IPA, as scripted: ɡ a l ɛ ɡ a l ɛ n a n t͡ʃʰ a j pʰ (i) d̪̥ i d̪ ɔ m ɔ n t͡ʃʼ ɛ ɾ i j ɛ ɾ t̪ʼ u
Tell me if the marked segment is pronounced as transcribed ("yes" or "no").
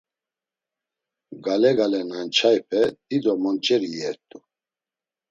no